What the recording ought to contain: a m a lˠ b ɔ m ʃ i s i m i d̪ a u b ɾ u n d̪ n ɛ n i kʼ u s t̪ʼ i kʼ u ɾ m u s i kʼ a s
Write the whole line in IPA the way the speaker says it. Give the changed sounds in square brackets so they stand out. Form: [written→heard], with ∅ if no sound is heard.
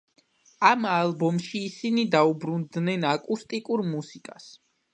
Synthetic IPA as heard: a m a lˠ b ɔ m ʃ [i→iː] s i [m→n] i d̪ a u b ɾ u n d̪ n ɛ n [i→a] kʼ u s t̪ʼ i kʼ u ɾ m u s i kʼ a s